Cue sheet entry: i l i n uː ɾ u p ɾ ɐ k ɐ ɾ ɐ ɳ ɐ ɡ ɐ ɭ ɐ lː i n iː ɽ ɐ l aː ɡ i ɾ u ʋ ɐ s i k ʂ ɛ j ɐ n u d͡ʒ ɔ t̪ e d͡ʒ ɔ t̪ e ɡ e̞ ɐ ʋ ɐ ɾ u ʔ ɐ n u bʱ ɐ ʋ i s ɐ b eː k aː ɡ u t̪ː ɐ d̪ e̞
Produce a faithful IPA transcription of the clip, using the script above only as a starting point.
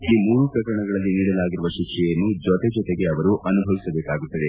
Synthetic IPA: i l i m uː ɾ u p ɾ ɐ k ɐ ɾ ɐ ɳ ɐ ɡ ɐ ɭ ɐ lː i n iː ɽ ɐ l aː ɡ i ɾ u ʋ ɐ ʃ i k ʂ ɛ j ɐ nː u d͡ʒ ɔ t̪ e d͡ʒ ɔ t̪ e ɡ e̞ ɐ ʋ ɐ ɾ u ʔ ɐ n u bʱ ɐ ʋ i s ɐ b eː k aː ɡ u t̪ː ɐ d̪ e̞